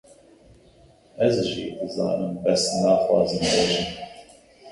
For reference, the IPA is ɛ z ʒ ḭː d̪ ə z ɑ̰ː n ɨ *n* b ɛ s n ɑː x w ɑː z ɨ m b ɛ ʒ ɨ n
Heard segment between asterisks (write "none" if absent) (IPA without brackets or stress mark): m